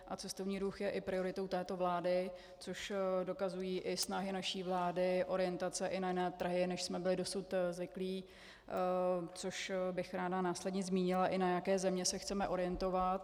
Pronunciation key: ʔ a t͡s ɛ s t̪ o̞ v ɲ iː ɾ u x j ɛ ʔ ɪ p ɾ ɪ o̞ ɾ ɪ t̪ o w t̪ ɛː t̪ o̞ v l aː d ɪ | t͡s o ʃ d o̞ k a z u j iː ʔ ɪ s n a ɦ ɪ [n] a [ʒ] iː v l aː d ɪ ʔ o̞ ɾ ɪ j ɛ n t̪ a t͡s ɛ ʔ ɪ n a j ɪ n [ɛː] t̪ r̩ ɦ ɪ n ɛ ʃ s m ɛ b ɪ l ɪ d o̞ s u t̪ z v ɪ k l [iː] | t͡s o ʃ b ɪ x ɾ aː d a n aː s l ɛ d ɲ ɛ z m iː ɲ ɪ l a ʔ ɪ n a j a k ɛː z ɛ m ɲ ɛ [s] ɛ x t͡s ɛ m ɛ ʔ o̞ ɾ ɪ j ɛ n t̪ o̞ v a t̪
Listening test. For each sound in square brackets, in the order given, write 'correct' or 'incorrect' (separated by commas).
correct, incorrect, correct, correct, correct